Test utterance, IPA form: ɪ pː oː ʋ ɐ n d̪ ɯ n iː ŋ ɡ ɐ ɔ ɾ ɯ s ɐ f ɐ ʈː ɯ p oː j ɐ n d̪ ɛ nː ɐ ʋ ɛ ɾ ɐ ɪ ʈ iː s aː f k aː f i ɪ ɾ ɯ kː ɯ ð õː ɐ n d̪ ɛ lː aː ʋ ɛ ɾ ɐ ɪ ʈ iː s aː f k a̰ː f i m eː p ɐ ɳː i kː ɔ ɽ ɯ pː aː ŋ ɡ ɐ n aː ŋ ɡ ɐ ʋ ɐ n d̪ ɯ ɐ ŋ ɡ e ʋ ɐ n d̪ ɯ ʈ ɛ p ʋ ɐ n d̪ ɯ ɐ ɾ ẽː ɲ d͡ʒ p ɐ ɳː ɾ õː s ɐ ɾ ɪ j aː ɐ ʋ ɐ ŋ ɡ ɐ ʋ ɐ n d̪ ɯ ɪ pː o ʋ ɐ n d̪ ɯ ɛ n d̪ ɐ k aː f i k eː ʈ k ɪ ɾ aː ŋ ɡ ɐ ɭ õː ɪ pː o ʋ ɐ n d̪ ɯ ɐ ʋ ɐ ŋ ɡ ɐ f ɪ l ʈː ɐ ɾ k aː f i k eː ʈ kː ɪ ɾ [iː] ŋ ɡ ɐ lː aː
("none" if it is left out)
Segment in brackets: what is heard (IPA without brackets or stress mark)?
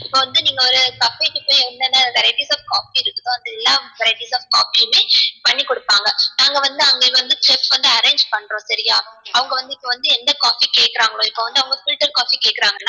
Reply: aː